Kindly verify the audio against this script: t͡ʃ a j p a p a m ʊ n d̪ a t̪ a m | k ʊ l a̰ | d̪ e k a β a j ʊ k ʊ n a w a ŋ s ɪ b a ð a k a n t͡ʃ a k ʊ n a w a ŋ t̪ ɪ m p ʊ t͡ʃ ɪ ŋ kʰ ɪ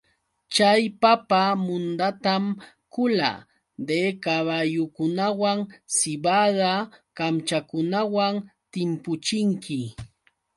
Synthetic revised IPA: t͡ʃ a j p a p a m ʊ n d̪ a t̪ a m | k ʊ l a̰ | d̪ e k a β a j ʊ k ʊ n a w a ŋ s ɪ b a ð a k a m t͡ʃ a k ʊ n a w a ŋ t̪ ɪ m p ʊ t͡ʃ ɪ ŋ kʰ ɪ